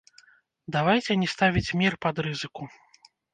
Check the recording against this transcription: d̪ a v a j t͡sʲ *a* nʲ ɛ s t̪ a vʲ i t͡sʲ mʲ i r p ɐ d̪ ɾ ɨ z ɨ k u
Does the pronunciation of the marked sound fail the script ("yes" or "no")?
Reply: yes